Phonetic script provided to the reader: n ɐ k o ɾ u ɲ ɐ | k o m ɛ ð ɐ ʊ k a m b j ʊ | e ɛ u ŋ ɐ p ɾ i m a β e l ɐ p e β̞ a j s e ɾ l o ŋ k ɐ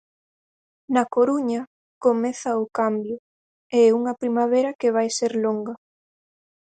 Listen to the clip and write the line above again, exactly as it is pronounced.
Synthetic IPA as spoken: n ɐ k o ɾ u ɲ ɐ | k o m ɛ θ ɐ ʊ k a m b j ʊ | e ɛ u ŋ ɐ p ɾ i m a β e ɾ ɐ k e β̞ a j s e ɾ l o ŋ ɡ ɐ